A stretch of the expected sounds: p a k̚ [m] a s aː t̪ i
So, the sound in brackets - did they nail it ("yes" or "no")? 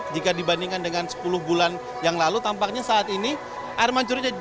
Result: no